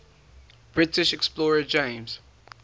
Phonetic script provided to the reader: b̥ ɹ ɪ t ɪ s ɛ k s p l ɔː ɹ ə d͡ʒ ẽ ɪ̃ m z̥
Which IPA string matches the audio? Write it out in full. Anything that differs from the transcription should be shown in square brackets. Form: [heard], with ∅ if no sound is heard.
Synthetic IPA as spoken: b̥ ɹ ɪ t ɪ [ʃ] ɛ k s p l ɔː ɹ ə d͡ʒ ẽ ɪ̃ m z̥